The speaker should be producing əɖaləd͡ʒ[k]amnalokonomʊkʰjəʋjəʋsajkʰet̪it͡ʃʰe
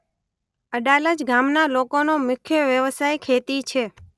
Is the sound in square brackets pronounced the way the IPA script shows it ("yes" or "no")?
no